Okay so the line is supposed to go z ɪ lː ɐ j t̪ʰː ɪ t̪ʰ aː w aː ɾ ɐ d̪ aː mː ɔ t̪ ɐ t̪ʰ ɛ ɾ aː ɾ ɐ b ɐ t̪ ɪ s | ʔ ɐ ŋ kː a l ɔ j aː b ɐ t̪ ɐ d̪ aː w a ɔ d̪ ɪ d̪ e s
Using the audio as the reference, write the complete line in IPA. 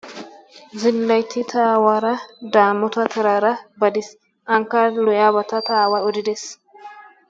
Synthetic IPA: z ɪ lː ɐ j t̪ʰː ɪ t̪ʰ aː w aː ɾ ɐ d̪ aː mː ɔ t̪ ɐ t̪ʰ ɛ ɾ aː ɾ ɐ b ɐ d̪ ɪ s | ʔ ɐ ŋ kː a l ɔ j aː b ɐ t̪ ɐ t̪ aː w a ɔ d̪ ɪ d̪ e s

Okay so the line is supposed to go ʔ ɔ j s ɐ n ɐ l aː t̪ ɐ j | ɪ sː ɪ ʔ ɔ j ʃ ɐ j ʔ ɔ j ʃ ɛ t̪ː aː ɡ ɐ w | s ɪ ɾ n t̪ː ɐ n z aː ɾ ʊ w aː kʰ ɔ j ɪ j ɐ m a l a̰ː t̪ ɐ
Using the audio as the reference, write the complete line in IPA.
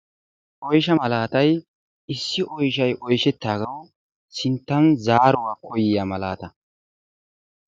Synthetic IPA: ʔ ɔ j ʃ ɐ m ɐ l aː t̪ ɐ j | ɪ sː ɪ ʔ ɔ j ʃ ɐ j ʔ ɔ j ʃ ɛ t̪ː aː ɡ ɐ w | s ɪ n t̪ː ɐ n z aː ɾ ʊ w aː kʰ ɔ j ɪ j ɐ m ɐ l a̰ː t̪ ɐ

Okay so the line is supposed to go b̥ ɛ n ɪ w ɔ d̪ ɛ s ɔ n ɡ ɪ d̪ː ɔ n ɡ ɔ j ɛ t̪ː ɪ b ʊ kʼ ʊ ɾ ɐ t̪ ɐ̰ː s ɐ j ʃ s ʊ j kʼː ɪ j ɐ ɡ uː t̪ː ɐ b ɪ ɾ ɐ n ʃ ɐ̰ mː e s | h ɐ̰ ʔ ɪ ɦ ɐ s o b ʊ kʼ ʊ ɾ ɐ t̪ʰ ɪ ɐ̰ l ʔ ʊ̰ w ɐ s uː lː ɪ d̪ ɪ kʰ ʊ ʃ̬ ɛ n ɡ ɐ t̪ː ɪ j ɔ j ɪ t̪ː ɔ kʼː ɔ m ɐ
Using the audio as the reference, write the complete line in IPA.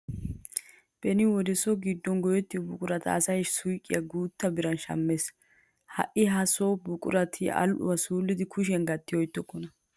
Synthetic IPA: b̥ ɛ n ɪ w ɔ d̪ ɛ s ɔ ɡ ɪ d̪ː ɔ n ɡ ɔ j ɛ t̪ː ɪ b ʊ kʼ ʊ ɾ ɐ t̪ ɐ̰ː s ɐ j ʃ s ʊ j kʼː ɪ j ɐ ɡ uː t̪ː ɐ b ɪ ɾ ɐ n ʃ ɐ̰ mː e s | h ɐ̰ ʔ ɪ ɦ ɐ s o b ʊ kʼ ʊ ɾ ɐ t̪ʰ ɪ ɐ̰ l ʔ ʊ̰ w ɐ s uː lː ɪ d̪ ɪ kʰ ʊ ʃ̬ ɛ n ɡ ɐ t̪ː ɪ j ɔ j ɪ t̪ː ɔ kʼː ɔ n ɐ

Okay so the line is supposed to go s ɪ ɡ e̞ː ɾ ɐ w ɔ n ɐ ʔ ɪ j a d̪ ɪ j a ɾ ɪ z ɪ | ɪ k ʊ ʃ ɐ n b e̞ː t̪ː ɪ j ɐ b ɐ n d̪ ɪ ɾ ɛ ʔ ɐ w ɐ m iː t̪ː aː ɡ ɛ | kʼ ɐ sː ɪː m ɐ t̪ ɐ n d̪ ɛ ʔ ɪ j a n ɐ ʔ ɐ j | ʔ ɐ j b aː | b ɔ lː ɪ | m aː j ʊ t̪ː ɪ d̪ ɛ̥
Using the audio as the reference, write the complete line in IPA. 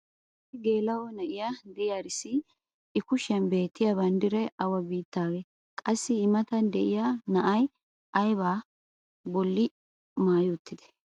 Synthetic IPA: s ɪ ɡ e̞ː l ɐ w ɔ n ɐ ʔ ɪ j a d̪ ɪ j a ɾ ɪ s ɪ | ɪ k ʊ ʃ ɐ n b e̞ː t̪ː ɪ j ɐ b ɐ n d̪ ɪ ɾ ɛ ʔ ɐ w ɐ b iː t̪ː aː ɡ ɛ | kʼ ɐ sː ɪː m ɐ t̪ ɐ n d̪ ɛ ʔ ɪ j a n ɐ ʔ ɐ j | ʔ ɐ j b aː | b ɔ lː ɪ | m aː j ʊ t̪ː ɪ d̪ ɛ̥

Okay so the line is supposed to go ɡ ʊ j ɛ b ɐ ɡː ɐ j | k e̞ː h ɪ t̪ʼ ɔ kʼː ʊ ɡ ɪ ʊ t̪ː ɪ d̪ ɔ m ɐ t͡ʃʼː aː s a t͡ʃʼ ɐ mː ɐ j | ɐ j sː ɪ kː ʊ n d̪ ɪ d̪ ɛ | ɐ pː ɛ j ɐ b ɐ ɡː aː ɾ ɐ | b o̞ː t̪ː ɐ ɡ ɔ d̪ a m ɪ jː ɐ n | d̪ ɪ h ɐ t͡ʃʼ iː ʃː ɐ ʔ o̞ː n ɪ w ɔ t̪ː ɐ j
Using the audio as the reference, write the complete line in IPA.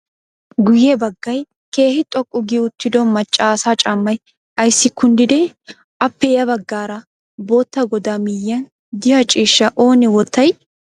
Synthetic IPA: ɡ ʊ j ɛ b ɐ ɡː ɐ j | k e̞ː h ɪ t̪ʼ ɔ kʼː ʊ ɡ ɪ ʊ t̪ː ɪ d̪ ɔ m ɐ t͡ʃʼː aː s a t͡ʃʼ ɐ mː ɐ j | ɐ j sː ɪ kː ʊ n d̪ ɪ d̪ ɛ | ɐ pː ɛ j ɐ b ɐ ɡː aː ɾ ɐ | b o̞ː t̪ː ɐ ɡ ɔ d̪ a m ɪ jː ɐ n | d̪ ɪ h ɐ t͡ʃʼ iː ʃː ɐ ʔ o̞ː n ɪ w ɔ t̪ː ɐ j

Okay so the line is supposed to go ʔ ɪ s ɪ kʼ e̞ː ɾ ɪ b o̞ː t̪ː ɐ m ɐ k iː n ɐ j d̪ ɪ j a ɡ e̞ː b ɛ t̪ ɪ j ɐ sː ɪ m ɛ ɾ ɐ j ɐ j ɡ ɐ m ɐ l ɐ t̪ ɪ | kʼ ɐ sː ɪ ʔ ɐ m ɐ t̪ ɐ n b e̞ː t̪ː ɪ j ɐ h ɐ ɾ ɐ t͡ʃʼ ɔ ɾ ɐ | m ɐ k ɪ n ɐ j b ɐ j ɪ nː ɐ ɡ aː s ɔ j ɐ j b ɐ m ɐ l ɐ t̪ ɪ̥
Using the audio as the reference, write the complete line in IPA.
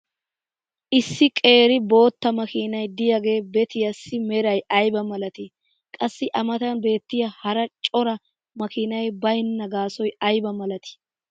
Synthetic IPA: ʔ ɪ sː ɪ kʼ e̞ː ɾ ɪ b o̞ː t̪ː ɐ m ɐ k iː n ɐ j d̪ ɪ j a ɡ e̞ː b ɛ t̪ ɪ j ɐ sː ɪ m ɛ ɾ ɐ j ɐ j b ɐ m ɐ l ɐ t̪ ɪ | kʼ ɐ sː ɪ ʔ ɐ m ɐ t̪ ɐ n b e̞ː t̪ː ɪ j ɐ h ɐ ɾ ɐ t͡ʃʼ ɔ ɾ ɐ | m ɐ k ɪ n ɐ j b ɐ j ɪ nː ɐ ɡ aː s ɔ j ɐ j b ɐ m ɐ l ɐ t̪ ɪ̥

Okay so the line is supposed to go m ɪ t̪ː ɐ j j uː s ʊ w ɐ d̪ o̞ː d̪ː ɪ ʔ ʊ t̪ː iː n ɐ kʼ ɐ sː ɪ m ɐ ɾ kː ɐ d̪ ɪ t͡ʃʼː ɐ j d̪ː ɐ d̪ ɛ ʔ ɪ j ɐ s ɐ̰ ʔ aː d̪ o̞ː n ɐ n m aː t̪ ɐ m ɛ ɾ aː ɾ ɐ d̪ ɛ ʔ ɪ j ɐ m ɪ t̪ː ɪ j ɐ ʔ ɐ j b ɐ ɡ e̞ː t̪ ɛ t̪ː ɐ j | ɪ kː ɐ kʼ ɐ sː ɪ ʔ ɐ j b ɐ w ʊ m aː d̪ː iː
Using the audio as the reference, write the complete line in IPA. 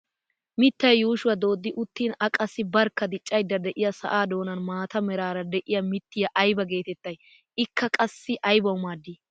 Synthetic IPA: m ɪ t̪ː ɐ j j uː ʃ ʊ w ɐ d̪ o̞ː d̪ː ɪ ʔ ʊ t̪ː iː n ɐ kʼ ɐ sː ɪ b ɐ ɾ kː ɐ d̪ ɪ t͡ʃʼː ɐ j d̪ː ɐ d̪ ɛ ʔ ɪ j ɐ s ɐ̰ ʔ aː d̪ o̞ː n ɐ n m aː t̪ ɐ m ɛ ɾ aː ɾ ɐ d̪ ɛ ʔ ɪ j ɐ m ɪ t̪ː ɪ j ɐ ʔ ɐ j b ɐ ɡ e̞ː t̪ ɛ t̪ː ɐ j | ɪ kː ɐ kʼ ɐ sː ɪ ʔ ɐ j b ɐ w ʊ m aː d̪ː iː

